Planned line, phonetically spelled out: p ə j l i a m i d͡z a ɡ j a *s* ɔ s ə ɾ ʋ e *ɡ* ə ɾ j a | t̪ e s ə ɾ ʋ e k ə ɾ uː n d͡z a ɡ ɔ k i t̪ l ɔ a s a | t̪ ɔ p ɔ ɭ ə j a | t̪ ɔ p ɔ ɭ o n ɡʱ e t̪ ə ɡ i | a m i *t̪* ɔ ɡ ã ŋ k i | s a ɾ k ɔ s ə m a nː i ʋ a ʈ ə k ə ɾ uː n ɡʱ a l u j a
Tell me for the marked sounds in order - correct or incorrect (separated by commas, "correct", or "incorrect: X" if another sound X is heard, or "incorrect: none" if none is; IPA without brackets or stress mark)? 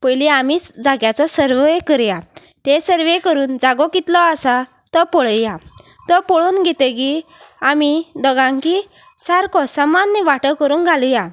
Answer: incorrect: t͡s, incorrect: k, incorrect: d̪